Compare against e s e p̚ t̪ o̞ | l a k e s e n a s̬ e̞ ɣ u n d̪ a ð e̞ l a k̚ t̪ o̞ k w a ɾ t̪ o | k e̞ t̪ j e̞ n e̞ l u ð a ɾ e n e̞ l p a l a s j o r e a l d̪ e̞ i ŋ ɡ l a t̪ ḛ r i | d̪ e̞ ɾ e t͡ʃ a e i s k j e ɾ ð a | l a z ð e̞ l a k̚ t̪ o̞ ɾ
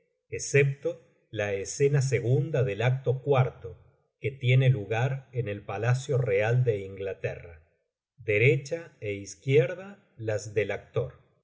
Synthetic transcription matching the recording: e s e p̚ t̪ o̞ | l a e s e n a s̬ e̞ ɣ u n d̪ a ð e̞ l a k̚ t̪ o̞ k w a ɾ t̪ o | k e̞ t̪ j e̞ n e̞ l u ɣ a ɾ e n e̞ l p a l a s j o r e a l d̪ e̞ i ŋ ɡ l a t̪ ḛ r a | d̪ e̞ ɾ e t͡ʃ a e i s k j e ɾ ð a | l a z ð e̞ l a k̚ t̪ o̞ ɾ